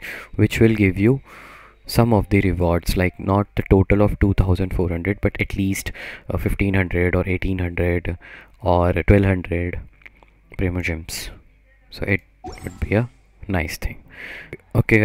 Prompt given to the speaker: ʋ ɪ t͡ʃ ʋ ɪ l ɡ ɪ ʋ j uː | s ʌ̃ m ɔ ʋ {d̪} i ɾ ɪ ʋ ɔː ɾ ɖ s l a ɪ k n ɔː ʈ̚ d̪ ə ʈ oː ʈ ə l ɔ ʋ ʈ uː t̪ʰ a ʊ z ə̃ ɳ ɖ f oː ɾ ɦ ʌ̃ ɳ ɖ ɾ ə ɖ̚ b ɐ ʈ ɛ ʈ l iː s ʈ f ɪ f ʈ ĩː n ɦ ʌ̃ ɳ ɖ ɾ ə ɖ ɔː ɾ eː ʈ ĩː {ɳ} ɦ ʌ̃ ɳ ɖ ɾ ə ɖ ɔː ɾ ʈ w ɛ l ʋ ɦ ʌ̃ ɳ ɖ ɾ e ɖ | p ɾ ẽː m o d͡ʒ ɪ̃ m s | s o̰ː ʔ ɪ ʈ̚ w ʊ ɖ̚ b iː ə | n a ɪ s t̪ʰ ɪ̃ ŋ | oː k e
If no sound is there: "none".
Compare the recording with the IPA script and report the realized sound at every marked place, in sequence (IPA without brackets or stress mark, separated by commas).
d̪, n